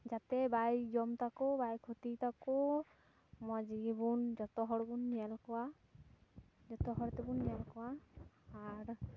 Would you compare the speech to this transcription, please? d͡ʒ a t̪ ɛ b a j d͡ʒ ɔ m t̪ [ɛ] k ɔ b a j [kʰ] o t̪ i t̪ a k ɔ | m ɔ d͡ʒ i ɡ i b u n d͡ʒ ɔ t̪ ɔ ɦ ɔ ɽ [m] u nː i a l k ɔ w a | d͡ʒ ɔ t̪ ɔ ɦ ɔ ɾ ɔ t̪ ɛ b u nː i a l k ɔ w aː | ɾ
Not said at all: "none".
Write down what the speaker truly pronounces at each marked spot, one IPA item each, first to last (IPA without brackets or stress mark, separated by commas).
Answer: a, kʰ, b